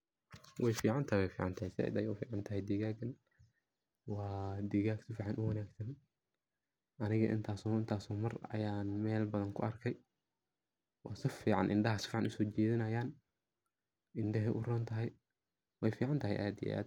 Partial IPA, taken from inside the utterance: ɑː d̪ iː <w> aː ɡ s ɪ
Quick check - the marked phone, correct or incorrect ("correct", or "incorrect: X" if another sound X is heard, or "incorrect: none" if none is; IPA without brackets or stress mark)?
incorrect: ɣ